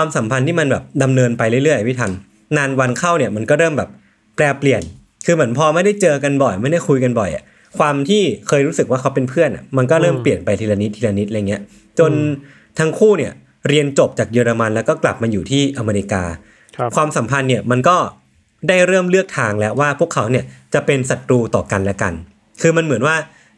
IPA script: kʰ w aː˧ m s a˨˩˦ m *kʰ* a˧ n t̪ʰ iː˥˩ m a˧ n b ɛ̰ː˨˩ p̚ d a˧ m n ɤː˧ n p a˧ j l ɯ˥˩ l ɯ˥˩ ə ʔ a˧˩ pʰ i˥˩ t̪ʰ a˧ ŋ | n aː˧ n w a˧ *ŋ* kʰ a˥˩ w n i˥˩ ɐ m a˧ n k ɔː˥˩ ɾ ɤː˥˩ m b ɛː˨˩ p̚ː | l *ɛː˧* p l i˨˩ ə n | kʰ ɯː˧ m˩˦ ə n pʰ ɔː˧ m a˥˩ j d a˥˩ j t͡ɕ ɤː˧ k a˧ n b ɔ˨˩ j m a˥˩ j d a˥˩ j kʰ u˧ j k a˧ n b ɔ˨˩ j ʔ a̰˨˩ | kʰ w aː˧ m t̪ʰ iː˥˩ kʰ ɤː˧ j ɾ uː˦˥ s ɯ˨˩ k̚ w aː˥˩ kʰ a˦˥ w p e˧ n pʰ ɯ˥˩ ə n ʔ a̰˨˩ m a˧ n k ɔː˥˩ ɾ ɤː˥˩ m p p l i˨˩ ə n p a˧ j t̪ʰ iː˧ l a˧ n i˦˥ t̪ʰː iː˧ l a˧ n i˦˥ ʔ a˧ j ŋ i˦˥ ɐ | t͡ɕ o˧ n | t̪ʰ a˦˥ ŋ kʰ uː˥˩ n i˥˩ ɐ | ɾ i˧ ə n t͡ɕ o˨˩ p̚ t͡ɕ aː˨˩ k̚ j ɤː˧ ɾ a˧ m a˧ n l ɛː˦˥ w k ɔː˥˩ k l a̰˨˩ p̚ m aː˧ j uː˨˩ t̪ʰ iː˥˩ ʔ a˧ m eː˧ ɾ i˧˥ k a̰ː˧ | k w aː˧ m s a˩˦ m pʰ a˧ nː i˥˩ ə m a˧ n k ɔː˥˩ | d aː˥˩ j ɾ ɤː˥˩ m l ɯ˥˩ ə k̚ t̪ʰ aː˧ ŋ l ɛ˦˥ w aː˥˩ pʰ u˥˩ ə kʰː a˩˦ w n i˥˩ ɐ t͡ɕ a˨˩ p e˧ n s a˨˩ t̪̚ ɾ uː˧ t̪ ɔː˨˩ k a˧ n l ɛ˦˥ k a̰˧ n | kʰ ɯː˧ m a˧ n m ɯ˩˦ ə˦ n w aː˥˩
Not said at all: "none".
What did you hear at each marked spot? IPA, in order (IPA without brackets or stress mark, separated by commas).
pʰ, n, ɛː˧